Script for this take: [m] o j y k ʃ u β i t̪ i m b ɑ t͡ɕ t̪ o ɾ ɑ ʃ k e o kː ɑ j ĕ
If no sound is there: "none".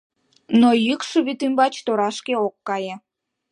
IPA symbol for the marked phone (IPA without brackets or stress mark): n